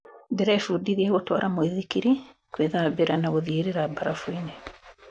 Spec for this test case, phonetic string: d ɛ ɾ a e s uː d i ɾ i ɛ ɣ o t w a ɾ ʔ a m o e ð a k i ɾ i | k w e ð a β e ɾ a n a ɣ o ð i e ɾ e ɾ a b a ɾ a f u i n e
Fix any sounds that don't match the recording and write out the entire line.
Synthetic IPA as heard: d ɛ ɾ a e f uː d i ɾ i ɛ ɣ o t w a ɾ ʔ a m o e ð i k i ɾ i | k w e ð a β e ɾ a n a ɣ o ð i e ɾ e ɾ a b a ɾ a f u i n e